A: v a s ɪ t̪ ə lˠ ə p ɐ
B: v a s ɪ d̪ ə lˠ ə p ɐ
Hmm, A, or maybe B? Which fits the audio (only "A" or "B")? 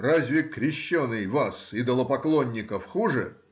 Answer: B